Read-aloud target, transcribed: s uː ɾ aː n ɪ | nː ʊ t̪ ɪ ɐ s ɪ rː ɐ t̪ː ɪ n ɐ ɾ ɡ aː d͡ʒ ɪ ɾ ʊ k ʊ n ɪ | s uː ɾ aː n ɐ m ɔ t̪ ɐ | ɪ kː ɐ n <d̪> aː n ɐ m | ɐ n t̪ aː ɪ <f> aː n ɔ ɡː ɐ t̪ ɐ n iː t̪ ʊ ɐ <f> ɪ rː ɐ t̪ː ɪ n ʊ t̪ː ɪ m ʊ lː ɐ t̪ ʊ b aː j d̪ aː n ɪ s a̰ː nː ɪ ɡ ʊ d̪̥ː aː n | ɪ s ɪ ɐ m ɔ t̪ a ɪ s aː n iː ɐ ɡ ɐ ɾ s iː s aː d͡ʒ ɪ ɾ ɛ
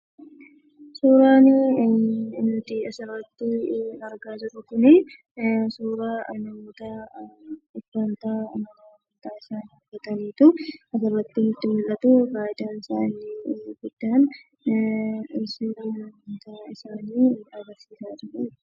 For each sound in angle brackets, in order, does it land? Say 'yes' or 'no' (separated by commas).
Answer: no, no, no